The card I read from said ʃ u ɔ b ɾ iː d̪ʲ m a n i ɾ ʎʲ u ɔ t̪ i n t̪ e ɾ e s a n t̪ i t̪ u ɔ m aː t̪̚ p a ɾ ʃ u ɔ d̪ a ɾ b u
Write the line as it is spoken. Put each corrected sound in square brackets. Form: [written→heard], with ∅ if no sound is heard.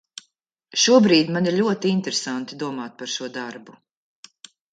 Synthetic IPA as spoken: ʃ u ɔ b ɾ iː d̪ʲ m a n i ɾ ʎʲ u ɔ t̪ i n t̪ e ɾ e s a n t̪ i [t̪→d̪] u ɔ m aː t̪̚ p a ɾ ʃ u ɔ d̪ a ɾ b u